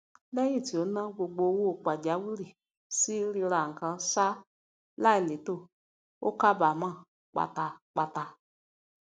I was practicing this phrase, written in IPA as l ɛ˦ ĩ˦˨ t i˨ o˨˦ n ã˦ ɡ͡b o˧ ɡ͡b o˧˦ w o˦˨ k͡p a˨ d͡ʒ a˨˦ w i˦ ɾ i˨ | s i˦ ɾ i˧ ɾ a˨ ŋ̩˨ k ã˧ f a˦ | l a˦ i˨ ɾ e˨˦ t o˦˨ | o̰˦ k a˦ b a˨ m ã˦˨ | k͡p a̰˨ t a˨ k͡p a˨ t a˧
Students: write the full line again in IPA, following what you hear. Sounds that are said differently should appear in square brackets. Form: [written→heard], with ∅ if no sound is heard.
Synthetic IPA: l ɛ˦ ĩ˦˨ t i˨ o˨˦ n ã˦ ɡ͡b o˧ ɡ͡b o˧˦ w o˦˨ k͡p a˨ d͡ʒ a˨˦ w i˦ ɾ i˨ | s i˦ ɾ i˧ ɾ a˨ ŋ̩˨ k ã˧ [f→s] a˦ | l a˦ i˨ [ɾ→l] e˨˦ t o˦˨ | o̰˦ k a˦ b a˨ m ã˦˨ | k͡p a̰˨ t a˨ k͡p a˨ t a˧